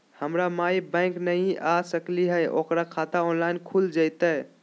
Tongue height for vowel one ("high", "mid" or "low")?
mid